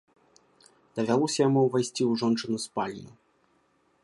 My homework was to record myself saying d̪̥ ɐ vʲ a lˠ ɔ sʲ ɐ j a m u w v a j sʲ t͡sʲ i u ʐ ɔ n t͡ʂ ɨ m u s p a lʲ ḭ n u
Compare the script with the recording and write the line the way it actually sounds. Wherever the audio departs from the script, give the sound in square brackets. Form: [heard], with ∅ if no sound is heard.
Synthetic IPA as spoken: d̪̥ ɐ vʲ a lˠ ɔ sʲ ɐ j a m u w v a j sʲ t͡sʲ i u ʐ ɔ n t͡ʂ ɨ [n] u s p a lʲ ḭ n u